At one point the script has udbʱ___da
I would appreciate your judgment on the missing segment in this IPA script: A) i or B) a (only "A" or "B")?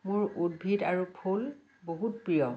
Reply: A